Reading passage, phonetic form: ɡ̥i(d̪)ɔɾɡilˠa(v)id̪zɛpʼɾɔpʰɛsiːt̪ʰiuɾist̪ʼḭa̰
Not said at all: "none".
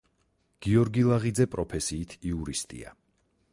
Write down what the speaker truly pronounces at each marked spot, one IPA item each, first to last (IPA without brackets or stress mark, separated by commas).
none, ʁ